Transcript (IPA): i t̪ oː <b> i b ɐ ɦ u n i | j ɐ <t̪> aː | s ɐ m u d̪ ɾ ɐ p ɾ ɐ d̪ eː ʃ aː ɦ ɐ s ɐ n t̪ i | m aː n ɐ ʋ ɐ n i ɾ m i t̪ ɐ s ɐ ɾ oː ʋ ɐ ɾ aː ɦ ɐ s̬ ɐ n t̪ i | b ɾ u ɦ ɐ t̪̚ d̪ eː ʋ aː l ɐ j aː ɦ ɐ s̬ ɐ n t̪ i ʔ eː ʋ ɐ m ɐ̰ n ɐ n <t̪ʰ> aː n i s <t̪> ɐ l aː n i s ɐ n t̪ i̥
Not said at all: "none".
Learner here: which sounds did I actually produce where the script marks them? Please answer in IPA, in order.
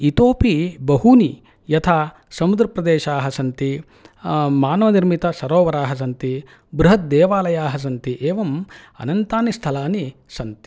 p, t̪ʰ, t̪, t̪ʰ

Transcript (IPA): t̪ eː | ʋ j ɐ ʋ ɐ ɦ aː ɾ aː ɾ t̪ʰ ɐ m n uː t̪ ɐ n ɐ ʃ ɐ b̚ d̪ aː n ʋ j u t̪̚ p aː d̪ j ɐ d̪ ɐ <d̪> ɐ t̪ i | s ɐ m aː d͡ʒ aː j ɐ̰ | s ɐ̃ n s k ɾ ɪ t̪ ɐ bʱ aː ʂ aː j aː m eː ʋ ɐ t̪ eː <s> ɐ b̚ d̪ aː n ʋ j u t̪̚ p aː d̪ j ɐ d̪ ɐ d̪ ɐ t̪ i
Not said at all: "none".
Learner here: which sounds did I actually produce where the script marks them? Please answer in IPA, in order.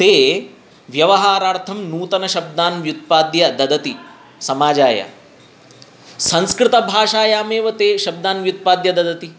d̪, ʃ

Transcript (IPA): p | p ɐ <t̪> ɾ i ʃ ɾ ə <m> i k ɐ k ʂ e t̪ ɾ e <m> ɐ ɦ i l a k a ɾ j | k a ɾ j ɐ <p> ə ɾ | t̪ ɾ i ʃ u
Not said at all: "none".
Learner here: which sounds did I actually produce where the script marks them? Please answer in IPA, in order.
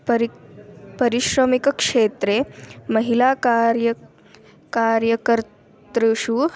none, m, m, k

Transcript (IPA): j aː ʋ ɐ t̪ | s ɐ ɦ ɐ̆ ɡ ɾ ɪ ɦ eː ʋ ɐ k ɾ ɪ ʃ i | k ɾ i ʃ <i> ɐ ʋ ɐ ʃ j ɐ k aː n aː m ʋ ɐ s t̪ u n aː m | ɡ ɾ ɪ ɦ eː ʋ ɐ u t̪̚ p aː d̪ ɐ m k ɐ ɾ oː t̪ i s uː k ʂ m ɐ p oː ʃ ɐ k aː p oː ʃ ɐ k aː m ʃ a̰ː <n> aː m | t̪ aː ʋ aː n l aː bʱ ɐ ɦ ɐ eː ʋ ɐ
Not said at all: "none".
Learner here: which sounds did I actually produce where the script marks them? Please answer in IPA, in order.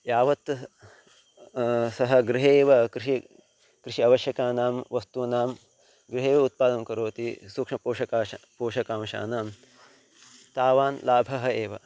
i, n

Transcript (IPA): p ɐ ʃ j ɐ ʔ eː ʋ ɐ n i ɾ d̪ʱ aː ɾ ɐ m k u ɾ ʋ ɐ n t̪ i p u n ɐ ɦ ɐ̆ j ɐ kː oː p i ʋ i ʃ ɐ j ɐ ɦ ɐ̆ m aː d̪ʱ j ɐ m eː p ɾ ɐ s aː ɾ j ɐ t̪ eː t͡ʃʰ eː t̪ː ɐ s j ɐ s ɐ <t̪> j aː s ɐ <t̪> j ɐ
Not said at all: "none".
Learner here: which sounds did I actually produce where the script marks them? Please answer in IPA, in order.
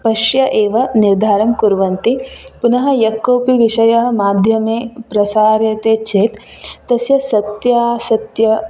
t̪, t̪

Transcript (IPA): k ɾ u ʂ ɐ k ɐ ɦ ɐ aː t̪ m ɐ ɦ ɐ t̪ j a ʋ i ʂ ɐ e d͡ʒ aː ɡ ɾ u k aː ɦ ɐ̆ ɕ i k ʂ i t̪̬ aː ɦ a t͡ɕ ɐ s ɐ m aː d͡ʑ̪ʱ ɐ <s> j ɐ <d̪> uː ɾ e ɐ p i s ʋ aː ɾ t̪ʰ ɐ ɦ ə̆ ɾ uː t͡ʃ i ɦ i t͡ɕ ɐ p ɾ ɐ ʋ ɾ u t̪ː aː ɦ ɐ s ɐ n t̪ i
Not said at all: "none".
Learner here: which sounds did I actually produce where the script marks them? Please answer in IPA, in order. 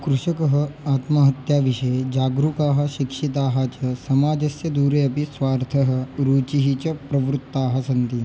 s, d̪

